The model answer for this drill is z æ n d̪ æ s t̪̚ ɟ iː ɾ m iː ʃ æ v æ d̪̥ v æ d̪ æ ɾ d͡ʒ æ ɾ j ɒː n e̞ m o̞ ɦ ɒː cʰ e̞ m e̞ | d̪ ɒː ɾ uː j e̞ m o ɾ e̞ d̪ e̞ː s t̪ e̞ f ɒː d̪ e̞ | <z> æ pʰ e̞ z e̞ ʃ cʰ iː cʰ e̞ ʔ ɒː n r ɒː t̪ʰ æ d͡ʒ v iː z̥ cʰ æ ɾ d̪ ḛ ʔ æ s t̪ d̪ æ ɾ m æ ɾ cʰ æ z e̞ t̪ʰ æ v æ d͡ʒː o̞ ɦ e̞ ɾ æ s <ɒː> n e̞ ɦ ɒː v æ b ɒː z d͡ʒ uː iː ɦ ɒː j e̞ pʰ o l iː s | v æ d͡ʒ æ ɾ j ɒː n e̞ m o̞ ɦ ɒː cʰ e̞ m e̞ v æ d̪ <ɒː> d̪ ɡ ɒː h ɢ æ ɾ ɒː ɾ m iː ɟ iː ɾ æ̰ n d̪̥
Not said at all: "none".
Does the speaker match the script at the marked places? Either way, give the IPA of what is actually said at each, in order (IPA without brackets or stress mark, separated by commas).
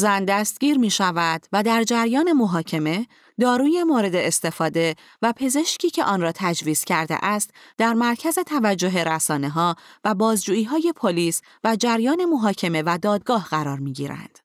v, ɒː, ɒː